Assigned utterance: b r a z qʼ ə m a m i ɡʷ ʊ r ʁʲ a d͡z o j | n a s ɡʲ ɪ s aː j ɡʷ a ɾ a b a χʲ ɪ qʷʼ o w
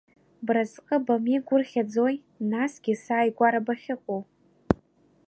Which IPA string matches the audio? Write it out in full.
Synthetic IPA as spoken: b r a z qʼ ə b a m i ɡʷ ʊ r χʲ a d͡z o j | n a s ɡʲ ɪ s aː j ɡʷ a ɾ a b a χʲ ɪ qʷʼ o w